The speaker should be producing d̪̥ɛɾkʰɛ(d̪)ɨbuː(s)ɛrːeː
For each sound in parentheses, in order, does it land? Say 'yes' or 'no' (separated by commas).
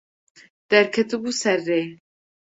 no, yes